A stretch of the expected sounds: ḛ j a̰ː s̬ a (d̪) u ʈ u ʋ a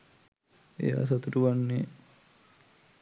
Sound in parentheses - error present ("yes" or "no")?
yes